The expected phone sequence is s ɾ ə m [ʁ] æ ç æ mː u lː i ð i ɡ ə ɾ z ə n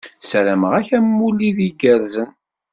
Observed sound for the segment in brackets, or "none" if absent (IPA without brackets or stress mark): ʁ